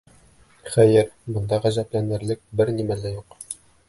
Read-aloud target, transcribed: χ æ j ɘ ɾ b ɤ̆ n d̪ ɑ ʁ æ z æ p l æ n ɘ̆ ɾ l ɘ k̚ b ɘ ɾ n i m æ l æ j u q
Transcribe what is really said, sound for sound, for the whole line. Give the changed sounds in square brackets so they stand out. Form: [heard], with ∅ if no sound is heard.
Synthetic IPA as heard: χ æ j ɘ ɾ b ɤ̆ n d̪ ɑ ʁ æ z æ p l æ n ɘ̆ ɾ l ɘ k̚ b ɘ ɾ n i m æ l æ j u q

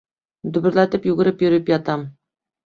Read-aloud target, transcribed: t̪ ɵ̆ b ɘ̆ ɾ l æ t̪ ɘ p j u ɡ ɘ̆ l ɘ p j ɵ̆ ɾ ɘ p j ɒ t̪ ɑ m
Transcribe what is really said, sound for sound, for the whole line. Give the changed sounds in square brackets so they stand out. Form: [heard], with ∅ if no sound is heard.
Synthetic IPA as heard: [d̪] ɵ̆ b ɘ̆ ɾ l æ t̪ ɘ p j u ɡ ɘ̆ [ɾ] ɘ p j ɵ̆ ɾ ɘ p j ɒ t̪ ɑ m

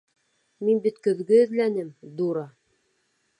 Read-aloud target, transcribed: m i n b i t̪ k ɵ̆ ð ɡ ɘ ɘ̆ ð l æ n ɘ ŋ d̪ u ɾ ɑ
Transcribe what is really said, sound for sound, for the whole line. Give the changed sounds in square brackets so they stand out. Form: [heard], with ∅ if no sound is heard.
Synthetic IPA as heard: m i n b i t̪ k ɵ̆ ð ɡ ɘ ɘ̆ ð l æ n ɘ [m] d̪ u ɾ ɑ

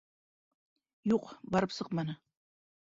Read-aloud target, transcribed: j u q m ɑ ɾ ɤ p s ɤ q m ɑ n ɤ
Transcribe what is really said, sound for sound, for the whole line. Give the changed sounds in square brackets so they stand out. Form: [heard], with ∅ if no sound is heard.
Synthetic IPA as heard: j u q [b] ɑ ɾ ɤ p s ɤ q m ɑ n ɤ

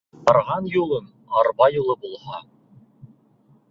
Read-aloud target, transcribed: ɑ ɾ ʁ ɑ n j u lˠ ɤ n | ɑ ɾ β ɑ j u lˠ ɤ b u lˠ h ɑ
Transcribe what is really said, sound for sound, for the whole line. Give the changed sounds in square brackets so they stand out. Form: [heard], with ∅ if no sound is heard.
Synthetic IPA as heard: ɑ ɾ ʁ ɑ n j u lˠ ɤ n | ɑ ɾ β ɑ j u lˠ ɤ b u lˠ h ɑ

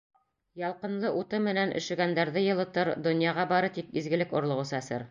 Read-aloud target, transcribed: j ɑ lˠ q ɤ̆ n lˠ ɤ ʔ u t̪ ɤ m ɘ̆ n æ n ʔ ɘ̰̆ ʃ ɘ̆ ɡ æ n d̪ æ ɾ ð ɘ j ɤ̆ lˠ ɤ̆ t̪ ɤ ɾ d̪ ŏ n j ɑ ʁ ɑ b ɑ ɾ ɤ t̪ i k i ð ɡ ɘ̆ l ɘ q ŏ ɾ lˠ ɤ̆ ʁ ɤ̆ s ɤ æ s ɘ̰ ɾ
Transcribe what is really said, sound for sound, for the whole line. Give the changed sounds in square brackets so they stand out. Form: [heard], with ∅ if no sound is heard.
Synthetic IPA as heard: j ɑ lˠ q ɤ̆ n lˠ ɤ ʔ u t̪ ɤ m ɘ̆ n æ n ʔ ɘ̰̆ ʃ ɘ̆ ɡ æ n d̪ æ ɾ ð ɘ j ɤ̆ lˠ ɤ̆ t̪ ɤ ɾ d̪ ŏ n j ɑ ʁ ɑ b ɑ ɾ ɤ t̪ i k i [z] ɡ ɘ̆ l ɘ [k] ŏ ɾ lˠ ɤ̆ ʁ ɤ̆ s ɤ æ s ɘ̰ ɾ

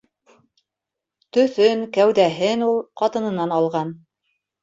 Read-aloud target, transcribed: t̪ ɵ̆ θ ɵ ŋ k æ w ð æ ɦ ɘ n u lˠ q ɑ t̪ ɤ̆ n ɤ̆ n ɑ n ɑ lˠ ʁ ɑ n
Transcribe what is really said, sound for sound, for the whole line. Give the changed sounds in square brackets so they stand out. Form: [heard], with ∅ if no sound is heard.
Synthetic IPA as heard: t̪ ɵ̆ θ ɵ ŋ k æ w ð æ ɦ ɘ n u lˠ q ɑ t̪ ɤ̆ n ɤ̆ n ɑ n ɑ lˠ ʁ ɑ n

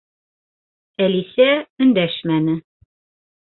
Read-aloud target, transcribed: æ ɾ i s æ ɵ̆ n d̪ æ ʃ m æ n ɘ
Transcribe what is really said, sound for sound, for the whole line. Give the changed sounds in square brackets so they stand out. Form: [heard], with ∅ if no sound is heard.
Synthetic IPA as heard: æ [l] i s æ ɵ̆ n d̪ æ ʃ m æ n ɘ

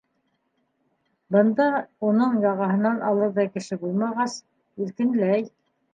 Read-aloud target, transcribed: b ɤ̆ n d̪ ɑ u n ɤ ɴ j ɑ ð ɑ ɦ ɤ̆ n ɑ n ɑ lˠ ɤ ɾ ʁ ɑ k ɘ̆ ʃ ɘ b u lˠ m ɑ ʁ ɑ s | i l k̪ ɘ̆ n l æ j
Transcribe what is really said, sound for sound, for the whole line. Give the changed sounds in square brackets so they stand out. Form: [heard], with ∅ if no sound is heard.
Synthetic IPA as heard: b ɤ̆ n d̪ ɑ u n ɤ ɴ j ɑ [ʁ] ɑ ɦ ɤ̆ n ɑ n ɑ lˠ ɤ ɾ [ð] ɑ k ɘ̆ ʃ ɘ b u lˠ m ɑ ʁ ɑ s | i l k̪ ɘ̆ n l æ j

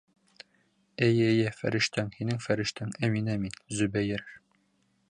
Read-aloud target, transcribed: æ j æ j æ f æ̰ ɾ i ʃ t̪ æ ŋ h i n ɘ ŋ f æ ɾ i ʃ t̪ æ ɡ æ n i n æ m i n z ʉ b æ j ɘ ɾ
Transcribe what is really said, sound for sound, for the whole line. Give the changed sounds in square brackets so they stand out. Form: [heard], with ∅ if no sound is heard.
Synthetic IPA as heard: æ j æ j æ f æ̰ ɾ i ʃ t̪ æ ŋ h i n ɘ ŋ f æ ɾ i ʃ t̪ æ [ŋ] æ [m] i n æ m i n z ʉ b æ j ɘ ɾ

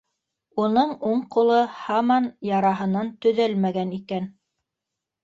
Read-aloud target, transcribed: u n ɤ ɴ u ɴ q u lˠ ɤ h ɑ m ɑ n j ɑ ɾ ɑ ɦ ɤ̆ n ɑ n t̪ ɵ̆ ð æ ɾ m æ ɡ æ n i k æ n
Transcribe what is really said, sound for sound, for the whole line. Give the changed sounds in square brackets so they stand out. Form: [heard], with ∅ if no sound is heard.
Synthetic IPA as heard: u n ɤ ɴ u ɴ q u lˠ ɤ h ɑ m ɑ n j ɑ ɾ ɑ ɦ ɤ̆ n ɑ n t̪ ɵ̆ ð æ [l] m æ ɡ æ n i k æ n

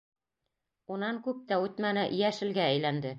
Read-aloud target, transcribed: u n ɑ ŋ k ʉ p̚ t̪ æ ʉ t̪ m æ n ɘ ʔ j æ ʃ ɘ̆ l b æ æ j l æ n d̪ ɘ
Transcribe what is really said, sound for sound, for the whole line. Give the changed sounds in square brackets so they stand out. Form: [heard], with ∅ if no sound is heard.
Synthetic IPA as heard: u n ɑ ŋ k ʉ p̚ t̪ æ ʉ t̪ m æ n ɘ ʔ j æ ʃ ɘ̆ l [ɡ] æ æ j l æ n d̪ ɘ

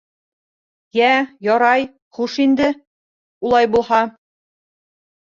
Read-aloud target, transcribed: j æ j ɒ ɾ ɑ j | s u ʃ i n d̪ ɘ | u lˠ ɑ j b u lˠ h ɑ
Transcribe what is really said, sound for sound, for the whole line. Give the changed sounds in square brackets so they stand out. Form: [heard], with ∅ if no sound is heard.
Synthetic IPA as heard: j æ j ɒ ɾ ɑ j | [χ] u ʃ i n d̪ ɘ | u lˠ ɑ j b u lˠ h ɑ

